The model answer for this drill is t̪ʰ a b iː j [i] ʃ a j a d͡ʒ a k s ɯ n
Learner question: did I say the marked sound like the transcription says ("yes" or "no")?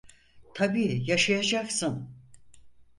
no